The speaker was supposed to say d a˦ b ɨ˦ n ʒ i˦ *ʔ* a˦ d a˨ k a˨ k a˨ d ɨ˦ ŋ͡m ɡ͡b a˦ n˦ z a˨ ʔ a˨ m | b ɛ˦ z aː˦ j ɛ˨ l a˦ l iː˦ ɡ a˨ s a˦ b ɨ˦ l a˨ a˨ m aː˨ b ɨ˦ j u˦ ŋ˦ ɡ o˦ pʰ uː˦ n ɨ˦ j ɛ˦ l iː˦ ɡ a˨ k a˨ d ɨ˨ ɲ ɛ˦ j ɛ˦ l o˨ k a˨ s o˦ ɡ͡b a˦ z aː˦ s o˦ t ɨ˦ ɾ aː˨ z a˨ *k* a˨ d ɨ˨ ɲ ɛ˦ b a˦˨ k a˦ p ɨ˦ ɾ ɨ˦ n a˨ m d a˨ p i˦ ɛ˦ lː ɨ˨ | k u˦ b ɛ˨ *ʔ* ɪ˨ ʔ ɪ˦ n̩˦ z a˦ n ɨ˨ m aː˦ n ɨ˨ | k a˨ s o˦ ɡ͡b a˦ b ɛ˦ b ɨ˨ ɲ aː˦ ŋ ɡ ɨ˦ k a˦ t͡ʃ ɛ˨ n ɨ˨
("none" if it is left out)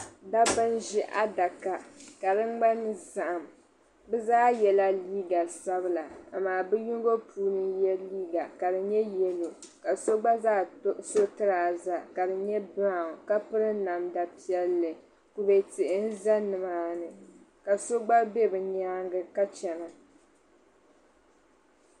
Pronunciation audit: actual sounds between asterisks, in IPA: ʔ, k, t

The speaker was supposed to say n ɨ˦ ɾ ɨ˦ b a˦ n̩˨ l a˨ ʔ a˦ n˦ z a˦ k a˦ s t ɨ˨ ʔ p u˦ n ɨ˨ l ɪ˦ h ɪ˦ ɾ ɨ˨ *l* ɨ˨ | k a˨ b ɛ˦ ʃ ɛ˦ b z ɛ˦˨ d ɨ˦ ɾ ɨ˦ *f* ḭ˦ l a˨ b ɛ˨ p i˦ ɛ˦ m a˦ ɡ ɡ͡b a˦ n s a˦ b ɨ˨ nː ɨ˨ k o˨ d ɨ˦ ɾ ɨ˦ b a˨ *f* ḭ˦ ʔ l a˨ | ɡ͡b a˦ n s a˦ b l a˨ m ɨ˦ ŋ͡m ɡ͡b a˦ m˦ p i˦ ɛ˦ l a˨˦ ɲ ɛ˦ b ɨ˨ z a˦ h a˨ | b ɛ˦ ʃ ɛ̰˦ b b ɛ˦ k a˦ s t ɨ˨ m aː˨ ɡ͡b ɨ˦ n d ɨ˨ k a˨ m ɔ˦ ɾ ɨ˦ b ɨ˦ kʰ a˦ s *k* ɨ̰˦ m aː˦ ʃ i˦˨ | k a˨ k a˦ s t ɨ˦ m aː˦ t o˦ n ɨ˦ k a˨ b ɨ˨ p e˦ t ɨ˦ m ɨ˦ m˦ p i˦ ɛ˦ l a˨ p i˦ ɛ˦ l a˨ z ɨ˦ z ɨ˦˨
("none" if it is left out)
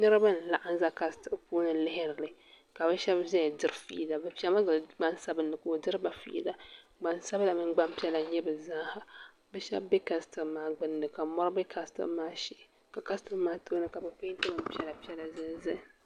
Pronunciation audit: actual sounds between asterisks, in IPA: l, f, f, t

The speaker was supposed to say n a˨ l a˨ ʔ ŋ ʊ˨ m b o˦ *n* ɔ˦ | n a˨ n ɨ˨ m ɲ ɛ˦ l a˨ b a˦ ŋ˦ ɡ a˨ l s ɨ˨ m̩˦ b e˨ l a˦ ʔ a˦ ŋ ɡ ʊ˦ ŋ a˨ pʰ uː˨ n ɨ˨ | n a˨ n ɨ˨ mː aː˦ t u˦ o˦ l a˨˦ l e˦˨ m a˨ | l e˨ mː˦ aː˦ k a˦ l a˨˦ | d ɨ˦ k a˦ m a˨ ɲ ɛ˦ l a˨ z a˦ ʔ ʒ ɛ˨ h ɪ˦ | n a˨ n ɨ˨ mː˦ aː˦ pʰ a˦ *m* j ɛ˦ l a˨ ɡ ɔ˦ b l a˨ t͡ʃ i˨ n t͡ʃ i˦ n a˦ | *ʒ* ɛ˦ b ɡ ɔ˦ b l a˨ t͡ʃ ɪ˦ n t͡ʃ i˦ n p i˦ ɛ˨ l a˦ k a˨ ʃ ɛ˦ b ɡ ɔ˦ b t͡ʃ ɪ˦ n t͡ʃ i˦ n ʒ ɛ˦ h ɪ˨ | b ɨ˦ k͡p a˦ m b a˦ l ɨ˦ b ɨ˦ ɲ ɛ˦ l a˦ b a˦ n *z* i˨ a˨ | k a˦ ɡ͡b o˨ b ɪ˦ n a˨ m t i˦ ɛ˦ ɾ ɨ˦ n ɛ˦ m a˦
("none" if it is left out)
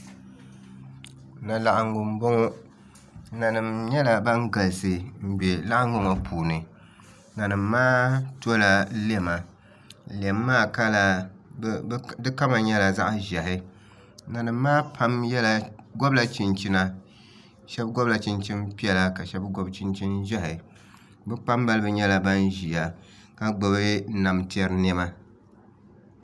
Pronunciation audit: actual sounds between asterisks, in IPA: ŋ, m, ʃ, ʒ

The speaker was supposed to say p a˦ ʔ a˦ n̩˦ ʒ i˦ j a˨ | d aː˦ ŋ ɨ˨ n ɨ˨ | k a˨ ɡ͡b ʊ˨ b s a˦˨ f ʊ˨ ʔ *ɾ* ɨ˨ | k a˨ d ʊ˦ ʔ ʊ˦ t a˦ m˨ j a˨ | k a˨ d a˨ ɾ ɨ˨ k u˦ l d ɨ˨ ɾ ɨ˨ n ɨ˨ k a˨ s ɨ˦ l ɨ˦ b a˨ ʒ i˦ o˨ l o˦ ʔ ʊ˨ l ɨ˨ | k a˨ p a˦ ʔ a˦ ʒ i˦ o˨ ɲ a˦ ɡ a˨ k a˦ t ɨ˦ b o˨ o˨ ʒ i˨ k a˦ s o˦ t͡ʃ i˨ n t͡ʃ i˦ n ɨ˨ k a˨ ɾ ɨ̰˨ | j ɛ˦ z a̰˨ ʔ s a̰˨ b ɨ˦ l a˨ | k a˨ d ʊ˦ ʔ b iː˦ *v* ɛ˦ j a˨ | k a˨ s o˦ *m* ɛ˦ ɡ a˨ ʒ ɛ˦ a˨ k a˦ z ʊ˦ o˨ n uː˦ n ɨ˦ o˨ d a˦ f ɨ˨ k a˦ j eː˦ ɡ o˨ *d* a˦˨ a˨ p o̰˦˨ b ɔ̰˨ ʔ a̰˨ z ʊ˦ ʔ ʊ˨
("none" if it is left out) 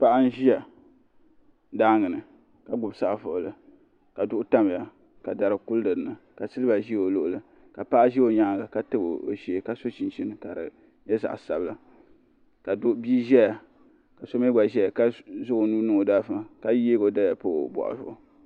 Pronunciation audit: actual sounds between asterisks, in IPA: l, ʒ, m, d

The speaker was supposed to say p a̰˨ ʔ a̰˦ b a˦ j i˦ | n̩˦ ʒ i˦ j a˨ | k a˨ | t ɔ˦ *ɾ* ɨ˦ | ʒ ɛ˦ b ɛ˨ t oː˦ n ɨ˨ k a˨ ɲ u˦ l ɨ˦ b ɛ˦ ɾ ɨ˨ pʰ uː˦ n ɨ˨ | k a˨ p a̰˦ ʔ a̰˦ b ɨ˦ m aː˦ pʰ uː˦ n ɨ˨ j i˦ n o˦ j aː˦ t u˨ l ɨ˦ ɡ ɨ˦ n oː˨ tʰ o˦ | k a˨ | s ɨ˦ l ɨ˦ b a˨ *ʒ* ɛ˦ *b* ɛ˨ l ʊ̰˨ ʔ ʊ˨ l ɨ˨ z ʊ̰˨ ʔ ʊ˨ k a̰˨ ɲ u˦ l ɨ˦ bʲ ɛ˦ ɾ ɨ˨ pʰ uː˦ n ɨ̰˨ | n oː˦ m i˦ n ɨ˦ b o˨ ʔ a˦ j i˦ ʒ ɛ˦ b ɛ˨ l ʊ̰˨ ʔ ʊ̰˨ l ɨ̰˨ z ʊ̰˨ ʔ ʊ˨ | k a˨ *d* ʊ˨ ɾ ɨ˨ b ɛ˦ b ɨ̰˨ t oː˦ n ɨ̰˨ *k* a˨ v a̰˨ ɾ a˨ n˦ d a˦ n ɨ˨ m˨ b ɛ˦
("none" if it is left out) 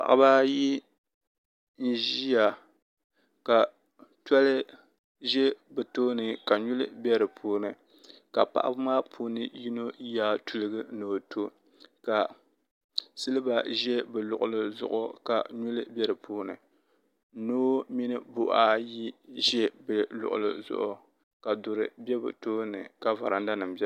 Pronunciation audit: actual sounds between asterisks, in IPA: l, ʒ, b, d, k

